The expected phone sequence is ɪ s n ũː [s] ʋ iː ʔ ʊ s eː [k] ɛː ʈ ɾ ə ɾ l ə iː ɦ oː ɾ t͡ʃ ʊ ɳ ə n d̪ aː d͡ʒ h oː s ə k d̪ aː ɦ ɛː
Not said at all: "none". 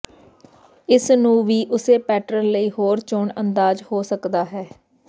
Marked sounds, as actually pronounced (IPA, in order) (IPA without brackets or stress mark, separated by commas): none, p